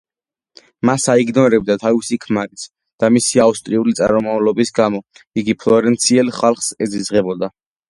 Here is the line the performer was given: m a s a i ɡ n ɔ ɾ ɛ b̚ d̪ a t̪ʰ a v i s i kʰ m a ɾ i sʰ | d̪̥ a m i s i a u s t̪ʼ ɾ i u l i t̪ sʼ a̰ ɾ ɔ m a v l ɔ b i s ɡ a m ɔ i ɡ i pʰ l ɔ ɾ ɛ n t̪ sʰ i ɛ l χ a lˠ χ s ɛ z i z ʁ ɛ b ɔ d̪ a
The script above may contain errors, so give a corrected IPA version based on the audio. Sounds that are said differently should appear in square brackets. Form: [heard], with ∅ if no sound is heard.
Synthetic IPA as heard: m a s a i ɡ n ɔ ɾ ɛ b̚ d̪ a t̪ʰ a v i s i kʰ m a ɾ i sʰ | d̪̥ a m i s i a u s t̪ʼ ɾ i u l i t̪ sʼ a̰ ɾ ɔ m a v l ɔ b i s ɡ a m ɔ i ɡ i pʰ l ɔ ɾ ɛ n t̪ sʰ i ɛ l χ a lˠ χ s ɛ z i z ʁ ɛ b ɔ d̪ a